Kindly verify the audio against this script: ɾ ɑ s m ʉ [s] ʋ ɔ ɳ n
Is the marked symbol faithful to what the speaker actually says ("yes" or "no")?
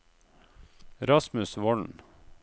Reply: yes